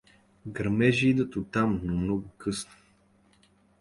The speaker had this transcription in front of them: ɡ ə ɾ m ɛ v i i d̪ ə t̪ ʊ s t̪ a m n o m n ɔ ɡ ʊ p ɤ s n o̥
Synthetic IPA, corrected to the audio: ɡ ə ɾ m ɛ ʒ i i d̪ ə t̪ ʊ t̪ a m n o m n ɔ ɡ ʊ k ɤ s n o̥